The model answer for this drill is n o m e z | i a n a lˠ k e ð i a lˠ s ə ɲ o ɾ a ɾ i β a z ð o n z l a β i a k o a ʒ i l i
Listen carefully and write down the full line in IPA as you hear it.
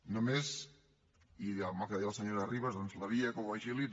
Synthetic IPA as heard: n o m e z | i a m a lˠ k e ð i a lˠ s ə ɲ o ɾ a r i β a z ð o n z l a β i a k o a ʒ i l i